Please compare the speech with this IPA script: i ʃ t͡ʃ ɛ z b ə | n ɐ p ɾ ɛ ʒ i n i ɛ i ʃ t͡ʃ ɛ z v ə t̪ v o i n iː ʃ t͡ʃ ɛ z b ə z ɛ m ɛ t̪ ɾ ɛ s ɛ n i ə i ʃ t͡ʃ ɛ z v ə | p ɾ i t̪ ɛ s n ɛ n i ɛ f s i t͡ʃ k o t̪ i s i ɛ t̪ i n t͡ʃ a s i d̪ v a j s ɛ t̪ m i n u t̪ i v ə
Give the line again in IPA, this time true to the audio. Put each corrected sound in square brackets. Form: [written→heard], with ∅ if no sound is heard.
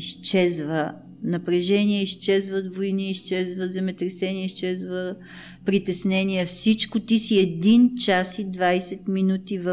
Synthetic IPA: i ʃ t͡ʃ ɛ z [b→v] ə | n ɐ p ɾ ɛ ʒ [i→ɛ] n i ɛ i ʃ t͡ʃ ɛ z v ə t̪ v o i n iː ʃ t͡ʃ ɛ z [b→v] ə z ɛ m ɛ t̪ ɾ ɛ s ɛ n i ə i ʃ t͡ʃ ɛ z v ə | p ɾ i t̪ ɛ s n ɛ n i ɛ f s i t͡ʃ k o t̪ i s i ɛ [t̪→d̪] i n t͡ʃ a s i d̪ v a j s ɛ t̪ m i n u t̪ i v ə